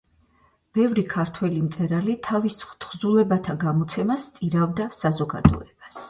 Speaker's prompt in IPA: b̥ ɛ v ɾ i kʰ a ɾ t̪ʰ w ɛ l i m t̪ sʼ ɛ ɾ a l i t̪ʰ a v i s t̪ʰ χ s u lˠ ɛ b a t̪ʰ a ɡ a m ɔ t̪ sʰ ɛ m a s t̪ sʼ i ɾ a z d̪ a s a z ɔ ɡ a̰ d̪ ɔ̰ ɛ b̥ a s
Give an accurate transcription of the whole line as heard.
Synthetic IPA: b̥ ɛ v ɾ i kʰ a ɾ t̪ʰ w ɛ l i m t̪ sʼ ɛ ɾ a l i t̪ʰ a v i s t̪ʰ χ z u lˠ ɛ b a t̪ʰ a ɡ a m ɔ t̪ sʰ ɛ m a s t̪ sʼ i ɾ a v d̪ a s a z ɔ ɡ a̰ d̪ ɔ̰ ɛ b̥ a s